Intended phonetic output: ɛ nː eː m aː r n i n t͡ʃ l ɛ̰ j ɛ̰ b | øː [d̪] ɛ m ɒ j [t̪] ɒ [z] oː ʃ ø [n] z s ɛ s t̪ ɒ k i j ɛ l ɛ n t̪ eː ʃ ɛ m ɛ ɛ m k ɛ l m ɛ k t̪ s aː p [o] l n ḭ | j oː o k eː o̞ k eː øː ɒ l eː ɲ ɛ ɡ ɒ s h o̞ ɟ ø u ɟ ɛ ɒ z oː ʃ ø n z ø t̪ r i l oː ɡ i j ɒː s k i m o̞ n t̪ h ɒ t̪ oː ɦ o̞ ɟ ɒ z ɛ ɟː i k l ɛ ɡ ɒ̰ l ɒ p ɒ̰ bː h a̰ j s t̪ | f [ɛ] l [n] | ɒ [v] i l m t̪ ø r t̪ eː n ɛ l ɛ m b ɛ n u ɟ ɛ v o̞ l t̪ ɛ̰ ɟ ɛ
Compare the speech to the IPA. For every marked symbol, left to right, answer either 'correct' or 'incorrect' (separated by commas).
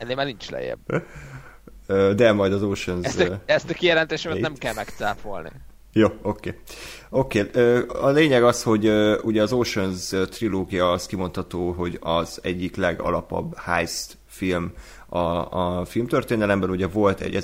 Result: correct, incorrect, correct, correct, correct, incorrect, incorrect, incorrect